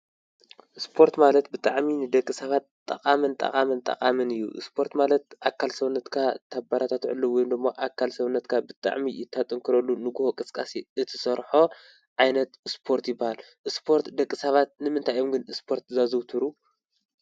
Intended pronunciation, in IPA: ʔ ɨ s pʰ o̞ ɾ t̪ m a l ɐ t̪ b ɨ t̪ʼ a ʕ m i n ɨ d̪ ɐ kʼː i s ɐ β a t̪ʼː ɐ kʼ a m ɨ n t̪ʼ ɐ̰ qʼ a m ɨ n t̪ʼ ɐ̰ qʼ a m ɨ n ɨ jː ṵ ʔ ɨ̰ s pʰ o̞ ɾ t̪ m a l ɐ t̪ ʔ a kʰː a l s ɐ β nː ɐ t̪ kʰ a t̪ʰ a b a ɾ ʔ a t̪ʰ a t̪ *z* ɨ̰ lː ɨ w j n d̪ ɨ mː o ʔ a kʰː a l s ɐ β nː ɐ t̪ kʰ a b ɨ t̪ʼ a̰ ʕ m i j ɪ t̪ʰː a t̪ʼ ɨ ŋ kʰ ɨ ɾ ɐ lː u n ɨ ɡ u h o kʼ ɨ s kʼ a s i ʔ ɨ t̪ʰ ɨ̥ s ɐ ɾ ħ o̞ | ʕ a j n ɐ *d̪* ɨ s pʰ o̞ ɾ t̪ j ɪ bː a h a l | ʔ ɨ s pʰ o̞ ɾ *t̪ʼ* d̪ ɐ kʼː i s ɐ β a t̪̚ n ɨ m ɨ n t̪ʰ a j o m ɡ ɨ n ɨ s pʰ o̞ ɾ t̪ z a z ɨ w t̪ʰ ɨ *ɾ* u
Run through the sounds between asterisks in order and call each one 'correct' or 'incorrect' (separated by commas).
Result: incorrect, incorrect, incorrect, correct